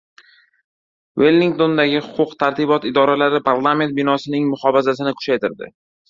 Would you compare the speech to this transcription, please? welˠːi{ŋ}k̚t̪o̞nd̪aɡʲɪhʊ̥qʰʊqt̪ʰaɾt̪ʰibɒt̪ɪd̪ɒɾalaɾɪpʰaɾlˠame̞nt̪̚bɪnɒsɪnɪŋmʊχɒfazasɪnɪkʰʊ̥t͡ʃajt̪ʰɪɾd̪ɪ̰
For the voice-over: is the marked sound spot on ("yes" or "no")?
yes